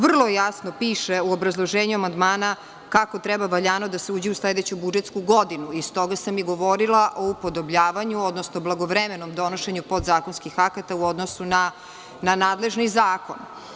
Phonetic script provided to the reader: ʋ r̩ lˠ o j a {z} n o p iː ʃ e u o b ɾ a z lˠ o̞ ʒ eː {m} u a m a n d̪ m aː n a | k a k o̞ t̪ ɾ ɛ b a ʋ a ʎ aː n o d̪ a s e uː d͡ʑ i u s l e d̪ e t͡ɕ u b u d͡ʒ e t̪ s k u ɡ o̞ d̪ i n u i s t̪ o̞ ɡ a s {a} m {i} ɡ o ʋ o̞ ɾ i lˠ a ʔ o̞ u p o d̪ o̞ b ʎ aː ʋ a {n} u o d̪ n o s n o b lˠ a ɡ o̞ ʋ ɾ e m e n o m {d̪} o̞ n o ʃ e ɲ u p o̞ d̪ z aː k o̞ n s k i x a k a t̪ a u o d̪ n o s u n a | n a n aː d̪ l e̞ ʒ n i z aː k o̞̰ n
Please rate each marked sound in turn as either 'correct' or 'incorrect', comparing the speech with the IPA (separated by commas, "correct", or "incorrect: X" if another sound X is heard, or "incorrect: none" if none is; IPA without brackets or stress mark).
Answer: incorrect: s, incorrect: ɲ, correct, correct, incorrect: ɲ, correct